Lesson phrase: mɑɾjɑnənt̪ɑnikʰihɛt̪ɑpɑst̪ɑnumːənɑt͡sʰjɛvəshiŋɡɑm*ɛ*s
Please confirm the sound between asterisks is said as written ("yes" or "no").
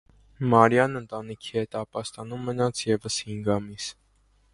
no